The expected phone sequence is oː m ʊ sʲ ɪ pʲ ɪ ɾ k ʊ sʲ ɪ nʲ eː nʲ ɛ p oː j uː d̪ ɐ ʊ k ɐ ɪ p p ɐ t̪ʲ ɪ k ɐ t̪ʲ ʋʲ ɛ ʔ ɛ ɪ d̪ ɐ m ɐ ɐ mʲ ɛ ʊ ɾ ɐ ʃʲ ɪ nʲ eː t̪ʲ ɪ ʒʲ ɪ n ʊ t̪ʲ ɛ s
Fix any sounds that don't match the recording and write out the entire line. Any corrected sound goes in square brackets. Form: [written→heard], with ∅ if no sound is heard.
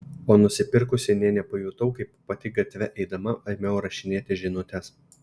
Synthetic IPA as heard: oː [m→n] ʊ sʲ ɪ pʲ ɪ ɾ k ʊ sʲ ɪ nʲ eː nʲ ɛ p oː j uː [d̪→t̪] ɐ ʊ k ɐ ɪ p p ɐ t̪ʲ ɪ [k→ɡ] ɐ t̪ʲ ʋʲ ɛ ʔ ɛ ɪ d̪ ɐ m ɐ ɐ mʲ ɛ ʊ ɾ ɐ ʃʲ ɪ nʲ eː t̪ʲ ɪ ʒʲ ɪ n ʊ t̪ʲ ɛ s